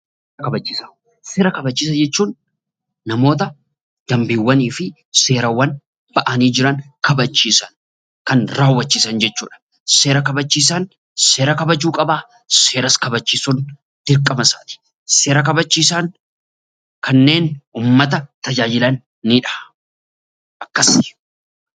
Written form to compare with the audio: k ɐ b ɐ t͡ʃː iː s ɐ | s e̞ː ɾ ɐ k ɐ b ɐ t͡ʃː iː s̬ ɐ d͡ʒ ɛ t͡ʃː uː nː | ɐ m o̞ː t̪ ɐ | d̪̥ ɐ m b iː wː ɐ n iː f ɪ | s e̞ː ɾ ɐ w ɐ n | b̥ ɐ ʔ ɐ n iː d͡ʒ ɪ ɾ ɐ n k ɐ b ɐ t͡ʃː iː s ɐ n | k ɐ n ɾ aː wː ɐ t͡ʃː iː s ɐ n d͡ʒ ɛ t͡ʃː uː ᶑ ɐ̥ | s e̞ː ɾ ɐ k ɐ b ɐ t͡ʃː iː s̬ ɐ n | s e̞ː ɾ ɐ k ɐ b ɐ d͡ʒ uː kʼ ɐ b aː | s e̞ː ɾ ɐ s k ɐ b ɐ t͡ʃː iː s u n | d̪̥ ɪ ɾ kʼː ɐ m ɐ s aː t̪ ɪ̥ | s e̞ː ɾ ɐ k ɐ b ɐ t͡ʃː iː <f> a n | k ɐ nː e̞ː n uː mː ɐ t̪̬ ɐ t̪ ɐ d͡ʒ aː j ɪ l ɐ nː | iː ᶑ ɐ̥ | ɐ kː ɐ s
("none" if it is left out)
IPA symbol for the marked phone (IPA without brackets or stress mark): s